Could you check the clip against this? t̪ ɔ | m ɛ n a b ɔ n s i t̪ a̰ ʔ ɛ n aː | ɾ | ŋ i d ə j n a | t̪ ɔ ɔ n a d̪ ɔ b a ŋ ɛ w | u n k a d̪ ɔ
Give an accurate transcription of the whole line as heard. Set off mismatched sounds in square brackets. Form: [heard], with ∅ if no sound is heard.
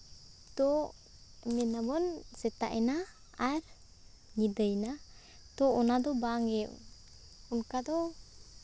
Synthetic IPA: t̪ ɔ | m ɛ n a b ɔ n s [ɛ] t̪ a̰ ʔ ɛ n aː | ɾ | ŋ i d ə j n a | t̪ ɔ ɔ n a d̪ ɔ b a ŋ ɛ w | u n k a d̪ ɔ